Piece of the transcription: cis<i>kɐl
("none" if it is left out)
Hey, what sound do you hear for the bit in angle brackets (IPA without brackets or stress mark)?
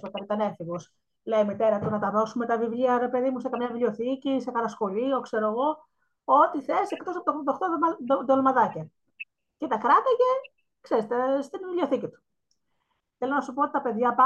e